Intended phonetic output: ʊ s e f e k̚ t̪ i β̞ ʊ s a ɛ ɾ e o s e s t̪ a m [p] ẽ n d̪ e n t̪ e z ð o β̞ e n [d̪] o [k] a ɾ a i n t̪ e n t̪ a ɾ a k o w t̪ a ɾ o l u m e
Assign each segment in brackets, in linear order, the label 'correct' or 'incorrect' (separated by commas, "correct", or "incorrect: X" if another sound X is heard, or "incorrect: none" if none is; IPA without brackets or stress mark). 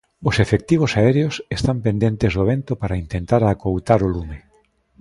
correct, incorrect: t̪, incorrect: p